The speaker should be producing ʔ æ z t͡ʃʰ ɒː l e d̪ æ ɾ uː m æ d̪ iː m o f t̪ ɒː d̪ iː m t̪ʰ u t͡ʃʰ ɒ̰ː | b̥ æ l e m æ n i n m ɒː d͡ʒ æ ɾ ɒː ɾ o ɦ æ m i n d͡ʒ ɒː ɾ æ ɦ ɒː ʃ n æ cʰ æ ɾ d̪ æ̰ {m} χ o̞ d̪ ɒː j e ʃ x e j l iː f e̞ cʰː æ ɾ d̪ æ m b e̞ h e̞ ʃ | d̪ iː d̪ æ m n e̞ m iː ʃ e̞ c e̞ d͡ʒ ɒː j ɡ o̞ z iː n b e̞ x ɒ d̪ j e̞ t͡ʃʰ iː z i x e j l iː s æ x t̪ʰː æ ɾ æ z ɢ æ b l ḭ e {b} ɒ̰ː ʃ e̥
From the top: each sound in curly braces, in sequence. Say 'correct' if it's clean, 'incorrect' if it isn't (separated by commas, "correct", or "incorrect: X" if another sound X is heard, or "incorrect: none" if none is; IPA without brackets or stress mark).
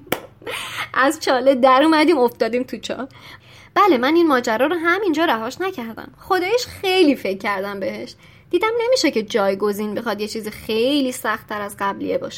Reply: correct, correct